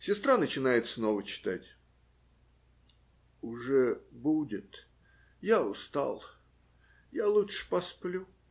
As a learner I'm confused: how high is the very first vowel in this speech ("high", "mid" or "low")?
high